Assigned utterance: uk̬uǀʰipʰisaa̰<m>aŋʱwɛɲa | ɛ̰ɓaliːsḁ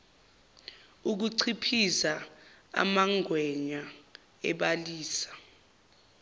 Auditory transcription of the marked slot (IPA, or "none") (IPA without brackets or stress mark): m